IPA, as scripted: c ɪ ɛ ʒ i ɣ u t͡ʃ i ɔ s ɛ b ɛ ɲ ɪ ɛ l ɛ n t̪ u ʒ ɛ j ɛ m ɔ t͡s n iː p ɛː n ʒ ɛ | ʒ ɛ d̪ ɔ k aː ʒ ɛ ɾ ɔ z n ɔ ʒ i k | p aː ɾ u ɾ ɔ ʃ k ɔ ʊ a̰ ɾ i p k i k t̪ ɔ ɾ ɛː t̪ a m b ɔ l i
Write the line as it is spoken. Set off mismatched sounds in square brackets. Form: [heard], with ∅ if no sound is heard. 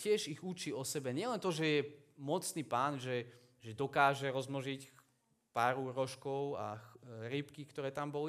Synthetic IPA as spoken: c ɪ ɛ ʒ i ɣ u t͡ʃ i ɔ s ɛ b ɛ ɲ ɪ ɛ l ɛ n t̪ [ɔ] ʒ ɛ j ɛ m ɔ t͡s n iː p [aː] n ʒ ɛ | ʒ ɛ d̪ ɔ k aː ʒ ɛ ɾ ɔ z [m] ɔ ʒ i [c] | p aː ɾ u ɾ ɔ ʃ k ɔ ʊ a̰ ɾ i p k i k t̪ ɔ ɾ ɛː t̪ a m b ɔ l i